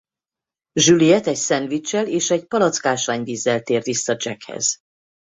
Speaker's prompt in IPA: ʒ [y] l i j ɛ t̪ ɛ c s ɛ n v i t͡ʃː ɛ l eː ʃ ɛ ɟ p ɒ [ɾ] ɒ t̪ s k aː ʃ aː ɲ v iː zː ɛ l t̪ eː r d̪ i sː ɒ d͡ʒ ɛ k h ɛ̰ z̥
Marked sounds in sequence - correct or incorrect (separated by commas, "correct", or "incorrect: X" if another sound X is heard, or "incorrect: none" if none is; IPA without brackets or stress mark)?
correct, incorrect: l